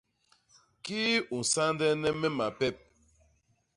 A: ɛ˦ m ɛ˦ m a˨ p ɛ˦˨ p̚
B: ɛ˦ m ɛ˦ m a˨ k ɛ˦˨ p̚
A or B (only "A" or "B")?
A